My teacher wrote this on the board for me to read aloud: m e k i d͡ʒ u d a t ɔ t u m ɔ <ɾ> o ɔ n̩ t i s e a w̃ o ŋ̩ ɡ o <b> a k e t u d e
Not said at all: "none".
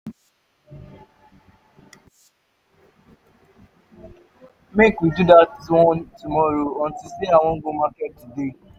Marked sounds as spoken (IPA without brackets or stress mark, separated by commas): ɾ, m